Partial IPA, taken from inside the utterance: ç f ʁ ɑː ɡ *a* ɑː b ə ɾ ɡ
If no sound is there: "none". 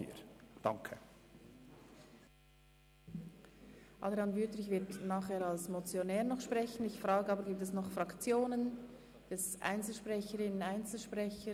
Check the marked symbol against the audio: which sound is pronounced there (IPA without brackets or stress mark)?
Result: ə